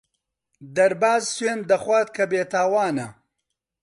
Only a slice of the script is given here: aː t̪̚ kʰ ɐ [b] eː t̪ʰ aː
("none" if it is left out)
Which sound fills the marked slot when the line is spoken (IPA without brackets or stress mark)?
b